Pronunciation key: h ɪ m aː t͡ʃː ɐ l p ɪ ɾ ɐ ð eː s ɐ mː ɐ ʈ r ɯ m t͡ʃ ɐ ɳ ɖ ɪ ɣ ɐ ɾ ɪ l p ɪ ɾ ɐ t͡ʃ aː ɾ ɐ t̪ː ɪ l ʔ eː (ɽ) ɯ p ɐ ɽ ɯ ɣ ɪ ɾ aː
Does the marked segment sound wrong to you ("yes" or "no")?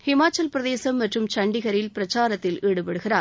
no